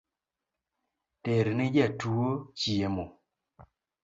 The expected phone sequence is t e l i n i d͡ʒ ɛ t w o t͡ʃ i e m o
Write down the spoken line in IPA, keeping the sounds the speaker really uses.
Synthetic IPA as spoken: t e ɾ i n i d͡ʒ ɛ t u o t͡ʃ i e m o